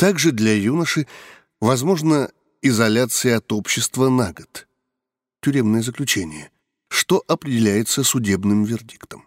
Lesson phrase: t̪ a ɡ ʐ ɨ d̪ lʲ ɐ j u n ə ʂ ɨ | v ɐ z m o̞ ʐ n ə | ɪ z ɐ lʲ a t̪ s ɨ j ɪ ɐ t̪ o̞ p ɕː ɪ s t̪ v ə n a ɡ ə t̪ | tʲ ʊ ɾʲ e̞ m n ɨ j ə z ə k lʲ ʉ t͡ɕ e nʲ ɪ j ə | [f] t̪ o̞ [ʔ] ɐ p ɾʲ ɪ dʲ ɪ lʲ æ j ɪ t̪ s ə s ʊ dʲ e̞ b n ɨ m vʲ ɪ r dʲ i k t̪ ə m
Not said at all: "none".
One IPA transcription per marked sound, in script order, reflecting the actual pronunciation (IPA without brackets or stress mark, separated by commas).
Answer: ʂ, ʔ